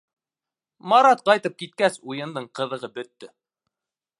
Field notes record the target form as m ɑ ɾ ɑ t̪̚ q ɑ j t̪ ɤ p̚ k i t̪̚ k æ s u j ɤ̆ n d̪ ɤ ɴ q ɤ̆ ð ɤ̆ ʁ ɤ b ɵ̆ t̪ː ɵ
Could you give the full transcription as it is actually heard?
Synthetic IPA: m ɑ ɾ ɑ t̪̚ q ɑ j t̪ ɤ p̚ k i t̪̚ k æ s u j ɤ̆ n d̪ ɤ ɴ q ɤ̆ ð ɤ̆ ʁ ɤ b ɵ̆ t̪ː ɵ